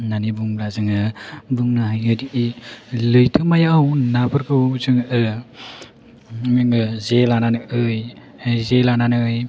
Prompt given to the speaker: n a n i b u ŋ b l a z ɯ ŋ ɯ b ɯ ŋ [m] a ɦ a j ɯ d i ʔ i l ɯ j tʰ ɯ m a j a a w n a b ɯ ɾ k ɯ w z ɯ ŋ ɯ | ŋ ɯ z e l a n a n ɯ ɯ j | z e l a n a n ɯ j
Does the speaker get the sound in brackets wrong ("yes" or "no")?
yes